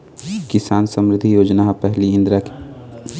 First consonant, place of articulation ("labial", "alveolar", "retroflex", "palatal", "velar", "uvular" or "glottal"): velar